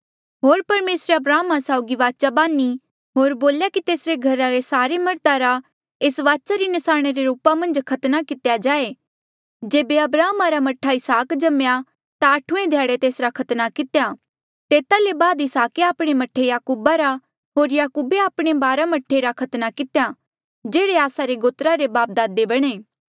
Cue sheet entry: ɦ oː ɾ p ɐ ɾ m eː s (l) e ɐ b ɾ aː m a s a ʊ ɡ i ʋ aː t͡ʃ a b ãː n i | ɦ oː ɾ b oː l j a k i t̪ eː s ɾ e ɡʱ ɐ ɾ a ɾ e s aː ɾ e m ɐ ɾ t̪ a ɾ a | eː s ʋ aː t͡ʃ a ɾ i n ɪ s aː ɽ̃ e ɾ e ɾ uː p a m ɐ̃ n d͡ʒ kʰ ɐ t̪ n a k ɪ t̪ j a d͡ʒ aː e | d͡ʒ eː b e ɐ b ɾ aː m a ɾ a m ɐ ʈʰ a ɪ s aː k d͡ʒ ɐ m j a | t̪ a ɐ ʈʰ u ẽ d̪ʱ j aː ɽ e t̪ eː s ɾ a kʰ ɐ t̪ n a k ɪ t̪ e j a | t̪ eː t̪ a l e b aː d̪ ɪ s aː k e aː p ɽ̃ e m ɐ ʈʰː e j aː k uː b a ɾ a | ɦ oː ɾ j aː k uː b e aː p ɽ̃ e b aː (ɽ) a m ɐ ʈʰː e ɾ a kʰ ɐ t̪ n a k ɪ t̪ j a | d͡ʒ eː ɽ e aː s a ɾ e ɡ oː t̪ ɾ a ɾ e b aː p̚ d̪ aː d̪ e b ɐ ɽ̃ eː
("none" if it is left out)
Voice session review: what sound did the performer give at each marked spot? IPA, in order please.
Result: ɾ, ɾ

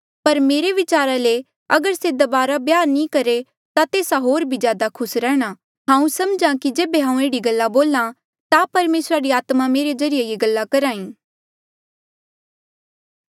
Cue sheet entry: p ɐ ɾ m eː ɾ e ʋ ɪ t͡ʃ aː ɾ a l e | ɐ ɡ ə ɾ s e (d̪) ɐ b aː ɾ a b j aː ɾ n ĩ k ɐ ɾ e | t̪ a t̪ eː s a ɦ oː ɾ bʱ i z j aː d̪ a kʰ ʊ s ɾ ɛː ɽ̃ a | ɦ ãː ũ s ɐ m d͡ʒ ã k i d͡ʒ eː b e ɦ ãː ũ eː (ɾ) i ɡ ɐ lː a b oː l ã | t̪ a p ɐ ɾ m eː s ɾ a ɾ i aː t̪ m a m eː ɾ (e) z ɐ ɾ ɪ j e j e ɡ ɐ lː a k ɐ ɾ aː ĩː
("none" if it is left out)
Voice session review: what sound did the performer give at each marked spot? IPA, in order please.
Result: d̪, ɽ, e

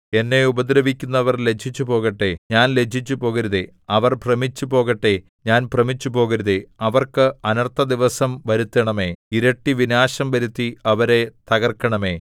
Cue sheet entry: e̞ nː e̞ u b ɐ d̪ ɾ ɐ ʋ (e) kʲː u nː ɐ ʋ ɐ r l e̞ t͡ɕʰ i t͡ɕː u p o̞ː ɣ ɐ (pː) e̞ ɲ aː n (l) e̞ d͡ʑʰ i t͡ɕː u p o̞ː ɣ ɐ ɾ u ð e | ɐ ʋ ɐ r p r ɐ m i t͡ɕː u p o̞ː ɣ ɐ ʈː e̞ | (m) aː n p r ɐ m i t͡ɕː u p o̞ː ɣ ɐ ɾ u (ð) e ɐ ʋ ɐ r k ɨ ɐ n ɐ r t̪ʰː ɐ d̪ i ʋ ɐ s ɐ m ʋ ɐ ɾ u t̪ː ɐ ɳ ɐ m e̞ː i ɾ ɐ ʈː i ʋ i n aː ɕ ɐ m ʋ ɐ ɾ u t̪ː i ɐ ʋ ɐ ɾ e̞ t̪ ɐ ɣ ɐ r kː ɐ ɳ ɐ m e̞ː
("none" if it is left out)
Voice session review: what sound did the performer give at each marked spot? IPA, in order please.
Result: i, ʈː, l, ɲ, ð

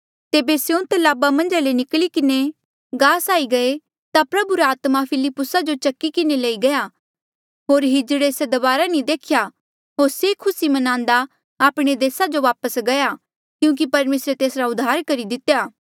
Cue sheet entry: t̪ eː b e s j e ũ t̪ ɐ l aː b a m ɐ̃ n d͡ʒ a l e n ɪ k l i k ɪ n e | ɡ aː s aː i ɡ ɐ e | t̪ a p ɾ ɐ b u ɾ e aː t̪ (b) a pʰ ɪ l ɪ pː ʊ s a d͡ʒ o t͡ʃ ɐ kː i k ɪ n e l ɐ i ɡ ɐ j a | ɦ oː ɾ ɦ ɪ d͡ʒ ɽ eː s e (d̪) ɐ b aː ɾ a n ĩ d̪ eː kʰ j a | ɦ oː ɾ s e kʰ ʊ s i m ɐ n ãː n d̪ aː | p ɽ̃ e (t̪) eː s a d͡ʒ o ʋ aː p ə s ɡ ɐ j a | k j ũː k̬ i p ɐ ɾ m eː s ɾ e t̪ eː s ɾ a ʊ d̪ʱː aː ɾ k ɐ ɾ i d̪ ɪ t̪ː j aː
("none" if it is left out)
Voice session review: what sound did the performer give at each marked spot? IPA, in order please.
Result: m, d̪, d̪

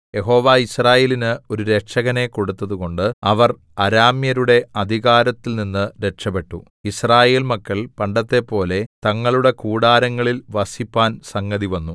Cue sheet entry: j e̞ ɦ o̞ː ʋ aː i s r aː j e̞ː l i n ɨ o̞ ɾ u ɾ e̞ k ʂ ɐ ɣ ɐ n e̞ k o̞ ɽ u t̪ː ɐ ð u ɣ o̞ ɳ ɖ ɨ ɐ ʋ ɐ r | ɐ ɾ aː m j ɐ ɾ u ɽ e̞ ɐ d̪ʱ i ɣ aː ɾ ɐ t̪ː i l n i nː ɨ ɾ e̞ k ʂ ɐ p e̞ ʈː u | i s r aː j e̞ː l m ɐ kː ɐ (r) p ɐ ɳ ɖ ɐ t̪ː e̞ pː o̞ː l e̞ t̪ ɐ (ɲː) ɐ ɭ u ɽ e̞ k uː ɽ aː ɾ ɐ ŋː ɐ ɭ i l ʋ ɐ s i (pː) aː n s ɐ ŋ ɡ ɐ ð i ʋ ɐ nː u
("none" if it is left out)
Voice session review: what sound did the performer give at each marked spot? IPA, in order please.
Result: ɭ, ŋː, pː

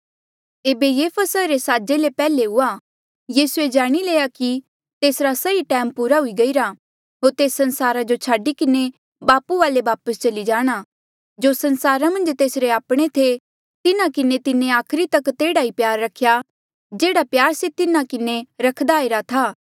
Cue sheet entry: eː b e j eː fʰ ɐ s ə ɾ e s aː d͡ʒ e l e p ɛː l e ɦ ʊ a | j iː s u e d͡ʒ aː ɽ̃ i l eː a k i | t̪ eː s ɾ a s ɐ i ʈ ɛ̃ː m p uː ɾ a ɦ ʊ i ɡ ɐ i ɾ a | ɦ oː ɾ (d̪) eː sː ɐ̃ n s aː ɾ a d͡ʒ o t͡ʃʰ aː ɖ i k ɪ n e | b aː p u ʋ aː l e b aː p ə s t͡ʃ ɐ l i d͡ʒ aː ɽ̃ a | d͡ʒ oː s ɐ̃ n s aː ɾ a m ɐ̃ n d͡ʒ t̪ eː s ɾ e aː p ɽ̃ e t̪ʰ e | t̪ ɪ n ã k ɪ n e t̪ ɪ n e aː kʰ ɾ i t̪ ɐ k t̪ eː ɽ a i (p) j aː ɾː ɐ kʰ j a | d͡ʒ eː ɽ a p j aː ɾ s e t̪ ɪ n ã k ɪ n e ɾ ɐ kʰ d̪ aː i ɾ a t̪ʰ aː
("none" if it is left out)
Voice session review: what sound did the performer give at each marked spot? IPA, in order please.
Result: t̪, p

